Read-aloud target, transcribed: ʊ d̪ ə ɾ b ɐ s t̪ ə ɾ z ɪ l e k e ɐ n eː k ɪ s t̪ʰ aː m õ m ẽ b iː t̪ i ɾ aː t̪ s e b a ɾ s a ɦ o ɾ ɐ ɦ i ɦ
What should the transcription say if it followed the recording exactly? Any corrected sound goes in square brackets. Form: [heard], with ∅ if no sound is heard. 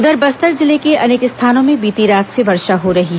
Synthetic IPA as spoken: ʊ d̪ ə ɾ b ɐ s t̪ ə ɾ z ɪ l e k e ɐ n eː k ɪ s t̪ʰ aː [n] õ m ẽ b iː t̪ i ɾ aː t̪ s e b [ɐ] ɾ [ʃ] a ɦ o ɾ ɐ ɦ i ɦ